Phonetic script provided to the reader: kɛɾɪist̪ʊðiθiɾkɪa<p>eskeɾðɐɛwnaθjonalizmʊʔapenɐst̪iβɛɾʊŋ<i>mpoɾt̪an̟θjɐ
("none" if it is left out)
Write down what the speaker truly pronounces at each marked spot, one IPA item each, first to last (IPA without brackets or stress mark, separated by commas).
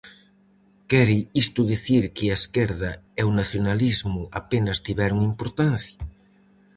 none, i